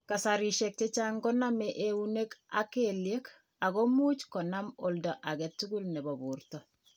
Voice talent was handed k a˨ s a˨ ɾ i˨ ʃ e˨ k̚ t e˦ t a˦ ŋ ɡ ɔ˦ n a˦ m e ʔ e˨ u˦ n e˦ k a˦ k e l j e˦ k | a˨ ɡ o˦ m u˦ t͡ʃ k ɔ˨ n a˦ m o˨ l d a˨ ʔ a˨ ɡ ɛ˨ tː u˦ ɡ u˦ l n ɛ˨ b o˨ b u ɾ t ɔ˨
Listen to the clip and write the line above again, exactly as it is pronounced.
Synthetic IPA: k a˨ s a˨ ɾ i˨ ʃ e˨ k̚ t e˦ t͡ʃ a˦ ŋ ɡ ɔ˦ n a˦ m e ʔ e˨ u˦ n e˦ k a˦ k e l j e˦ k | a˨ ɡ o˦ m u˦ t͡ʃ k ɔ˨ n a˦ m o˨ l d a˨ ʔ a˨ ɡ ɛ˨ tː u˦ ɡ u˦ l n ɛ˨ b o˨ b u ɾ t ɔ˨